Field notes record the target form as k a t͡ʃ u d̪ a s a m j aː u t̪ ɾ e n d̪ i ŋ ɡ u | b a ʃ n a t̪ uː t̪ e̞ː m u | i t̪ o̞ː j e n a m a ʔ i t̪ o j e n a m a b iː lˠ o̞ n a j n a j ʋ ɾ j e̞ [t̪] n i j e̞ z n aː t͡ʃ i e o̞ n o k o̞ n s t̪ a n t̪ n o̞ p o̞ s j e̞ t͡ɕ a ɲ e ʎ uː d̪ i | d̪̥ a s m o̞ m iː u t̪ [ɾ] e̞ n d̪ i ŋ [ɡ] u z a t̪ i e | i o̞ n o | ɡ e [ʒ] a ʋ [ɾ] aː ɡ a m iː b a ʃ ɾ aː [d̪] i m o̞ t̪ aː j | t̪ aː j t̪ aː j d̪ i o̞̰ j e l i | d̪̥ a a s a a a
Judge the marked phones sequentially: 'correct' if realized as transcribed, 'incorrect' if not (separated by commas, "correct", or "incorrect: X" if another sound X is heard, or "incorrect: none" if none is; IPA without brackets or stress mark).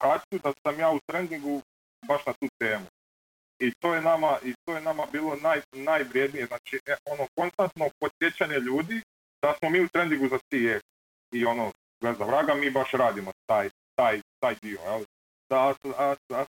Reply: incorrect: d̪, correct, correct, incorrect: z, correct, correct